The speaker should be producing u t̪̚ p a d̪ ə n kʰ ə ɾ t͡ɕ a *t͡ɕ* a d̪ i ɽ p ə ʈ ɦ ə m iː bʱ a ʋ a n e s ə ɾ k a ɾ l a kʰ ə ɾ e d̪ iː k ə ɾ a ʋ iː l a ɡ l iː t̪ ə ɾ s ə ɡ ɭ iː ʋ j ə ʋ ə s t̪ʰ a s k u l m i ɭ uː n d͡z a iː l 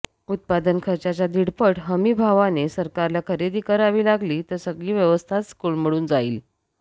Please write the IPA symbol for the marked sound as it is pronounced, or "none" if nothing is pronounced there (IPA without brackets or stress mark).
t͡ɕ